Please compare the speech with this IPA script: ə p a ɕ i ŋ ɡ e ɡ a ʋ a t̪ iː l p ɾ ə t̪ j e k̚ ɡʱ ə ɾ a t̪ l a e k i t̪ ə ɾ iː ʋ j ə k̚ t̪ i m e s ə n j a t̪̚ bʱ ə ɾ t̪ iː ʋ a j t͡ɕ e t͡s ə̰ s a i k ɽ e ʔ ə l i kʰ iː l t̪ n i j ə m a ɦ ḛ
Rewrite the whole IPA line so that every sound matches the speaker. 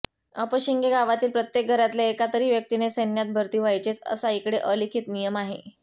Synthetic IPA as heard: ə p ə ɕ i ŋ ɡ e ɡ a ʋ a t̪ iː l p ɾ ə t̪ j e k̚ ɡʱ ə ɾ a t̪ l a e k a t̪ ə ɾ iː ʋ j ə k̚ t̪ i n e s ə n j a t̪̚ bʱ ə ɾ t̪ iː ʋ a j t͡ɕ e t͡s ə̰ s a i k ɽ e ʔ ə l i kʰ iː t̪ n i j ə m a ɦ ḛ